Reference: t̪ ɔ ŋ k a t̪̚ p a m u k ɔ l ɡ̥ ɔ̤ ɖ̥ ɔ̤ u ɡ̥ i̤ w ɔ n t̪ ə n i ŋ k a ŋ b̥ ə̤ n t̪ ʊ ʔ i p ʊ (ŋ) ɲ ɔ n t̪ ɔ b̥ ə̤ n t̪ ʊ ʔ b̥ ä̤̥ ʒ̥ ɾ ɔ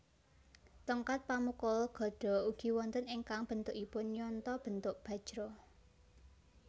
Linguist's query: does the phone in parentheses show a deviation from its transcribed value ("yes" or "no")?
yes